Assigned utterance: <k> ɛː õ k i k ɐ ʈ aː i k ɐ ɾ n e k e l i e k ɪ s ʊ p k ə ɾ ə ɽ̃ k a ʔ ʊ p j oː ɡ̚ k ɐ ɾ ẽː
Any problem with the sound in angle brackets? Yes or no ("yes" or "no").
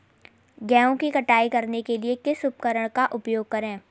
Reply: yes